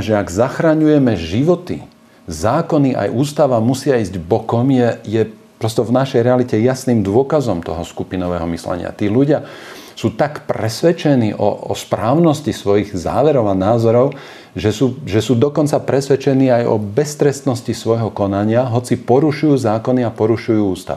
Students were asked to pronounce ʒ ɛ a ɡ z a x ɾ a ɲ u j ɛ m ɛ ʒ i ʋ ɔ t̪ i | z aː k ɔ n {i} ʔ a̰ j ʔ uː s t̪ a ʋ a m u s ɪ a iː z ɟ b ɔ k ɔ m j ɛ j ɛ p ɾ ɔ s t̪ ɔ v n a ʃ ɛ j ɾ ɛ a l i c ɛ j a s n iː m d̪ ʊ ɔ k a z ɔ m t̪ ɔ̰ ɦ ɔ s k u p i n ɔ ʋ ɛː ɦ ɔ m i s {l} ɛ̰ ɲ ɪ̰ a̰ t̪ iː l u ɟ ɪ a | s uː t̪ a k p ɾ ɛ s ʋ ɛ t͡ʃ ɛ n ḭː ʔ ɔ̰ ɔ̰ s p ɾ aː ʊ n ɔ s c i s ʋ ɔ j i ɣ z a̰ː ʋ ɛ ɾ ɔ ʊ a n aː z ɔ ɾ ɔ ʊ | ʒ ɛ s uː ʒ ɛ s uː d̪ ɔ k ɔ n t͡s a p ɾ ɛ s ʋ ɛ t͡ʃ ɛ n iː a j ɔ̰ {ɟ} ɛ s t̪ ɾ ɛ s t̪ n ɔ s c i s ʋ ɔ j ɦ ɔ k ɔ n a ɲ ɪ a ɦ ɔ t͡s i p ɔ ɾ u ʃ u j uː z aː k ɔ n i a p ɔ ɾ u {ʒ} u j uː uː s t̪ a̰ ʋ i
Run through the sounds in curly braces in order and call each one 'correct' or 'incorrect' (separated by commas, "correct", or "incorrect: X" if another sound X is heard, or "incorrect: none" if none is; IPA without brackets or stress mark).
correct, correct, incorrect: b, incorrect: ʃ